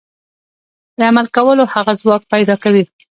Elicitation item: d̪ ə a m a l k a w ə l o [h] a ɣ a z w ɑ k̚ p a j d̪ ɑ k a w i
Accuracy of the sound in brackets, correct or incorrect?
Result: correct